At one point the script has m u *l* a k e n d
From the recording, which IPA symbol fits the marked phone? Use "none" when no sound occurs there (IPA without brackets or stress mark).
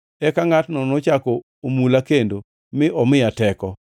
l